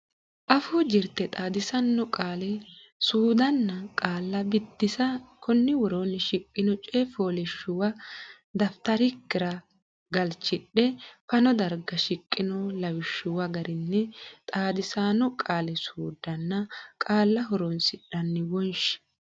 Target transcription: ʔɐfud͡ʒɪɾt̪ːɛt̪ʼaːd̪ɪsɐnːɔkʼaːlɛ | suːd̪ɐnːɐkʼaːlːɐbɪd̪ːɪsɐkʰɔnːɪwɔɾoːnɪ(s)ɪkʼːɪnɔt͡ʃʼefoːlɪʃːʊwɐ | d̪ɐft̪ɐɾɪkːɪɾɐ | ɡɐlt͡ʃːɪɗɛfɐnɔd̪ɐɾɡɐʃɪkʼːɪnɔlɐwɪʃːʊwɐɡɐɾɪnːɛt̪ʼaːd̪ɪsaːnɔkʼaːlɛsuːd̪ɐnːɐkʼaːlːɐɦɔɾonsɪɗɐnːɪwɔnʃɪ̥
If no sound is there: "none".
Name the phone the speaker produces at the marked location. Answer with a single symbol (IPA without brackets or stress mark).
ʃ